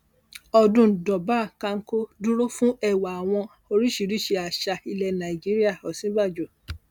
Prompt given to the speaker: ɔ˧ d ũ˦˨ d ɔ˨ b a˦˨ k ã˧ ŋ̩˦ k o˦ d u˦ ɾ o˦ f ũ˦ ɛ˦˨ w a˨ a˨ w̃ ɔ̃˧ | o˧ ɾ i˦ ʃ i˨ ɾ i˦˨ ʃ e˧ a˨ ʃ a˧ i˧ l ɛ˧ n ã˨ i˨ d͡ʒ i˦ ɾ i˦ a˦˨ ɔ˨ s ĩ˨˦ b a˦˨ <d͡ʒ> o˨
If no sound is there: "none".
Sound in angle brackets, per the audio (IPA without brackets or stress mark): d͡ʒ